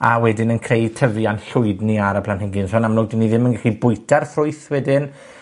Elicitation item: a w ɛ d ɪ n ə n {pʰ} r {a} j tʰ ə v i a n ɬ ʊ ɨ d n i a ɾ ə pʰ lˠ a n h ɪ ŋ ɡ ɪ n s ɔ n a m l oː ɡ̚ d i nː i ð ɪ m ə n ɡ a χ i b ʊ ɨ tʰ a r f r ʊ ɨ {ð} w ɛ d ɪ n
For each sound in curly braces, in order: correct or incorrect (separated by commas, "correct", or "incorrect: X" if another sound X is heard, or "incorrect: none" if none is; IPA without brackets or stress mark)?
incorrect: kʰ, incorrect: e, incorrect: θ